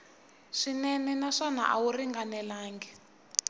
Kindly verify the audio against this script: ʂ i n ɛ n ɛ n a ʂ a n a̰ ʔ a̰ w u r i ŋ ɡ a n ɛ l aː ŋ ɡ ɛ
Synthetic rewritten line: ʂ i n ɛ n ɛ n a ʂ a n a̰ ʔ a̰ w u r i ŋ ɡ a n ɛ l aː ŋ ɡ ɛ